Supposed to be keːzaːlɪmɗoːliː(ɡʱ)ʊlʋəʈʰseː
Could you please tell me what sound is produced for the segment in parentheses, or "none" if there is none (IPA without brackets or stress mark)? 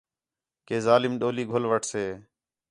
ɡʱ